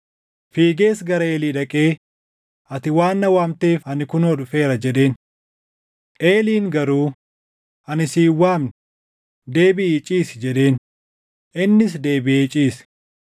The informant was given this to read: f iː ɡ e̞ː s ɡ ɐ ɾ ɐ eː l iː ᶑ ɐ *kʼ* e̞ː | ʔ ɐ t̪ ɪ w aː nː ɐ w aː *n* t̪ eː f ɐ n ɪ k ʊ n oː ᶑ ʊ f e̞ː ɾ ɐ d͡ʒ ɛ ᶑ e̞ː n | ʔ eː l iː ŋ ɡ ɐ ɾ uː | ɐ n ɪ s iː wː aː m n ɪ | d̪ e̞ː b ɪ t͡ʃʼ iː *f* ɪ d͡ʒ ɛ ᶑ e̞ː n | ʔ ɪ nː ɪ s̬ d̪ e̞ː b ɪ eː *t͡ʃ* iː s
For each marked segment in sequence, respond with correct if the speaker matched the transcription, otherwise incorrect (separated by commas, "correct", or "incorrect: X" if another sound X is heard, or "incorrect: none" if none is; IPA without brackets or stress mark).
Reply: correct, incorrect: m, incorrect: s, incorrect: t͡ʃʼ